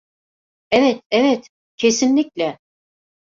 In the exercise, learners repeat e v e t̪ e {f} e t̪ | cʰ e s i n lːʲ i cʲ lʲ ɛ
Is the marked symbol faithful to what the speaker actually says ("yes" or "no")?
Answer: no